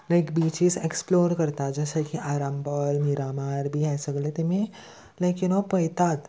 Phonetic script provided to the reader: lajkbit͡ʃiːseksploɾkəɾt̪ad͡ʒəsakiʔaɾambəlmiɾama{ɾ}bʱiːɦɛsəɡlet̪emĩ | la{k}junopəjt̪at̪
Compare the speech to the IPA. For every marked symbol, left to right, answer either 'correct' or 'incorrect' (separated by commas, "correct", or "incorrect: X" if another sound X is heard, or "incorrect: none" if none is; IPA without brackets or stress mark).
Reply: correct, correct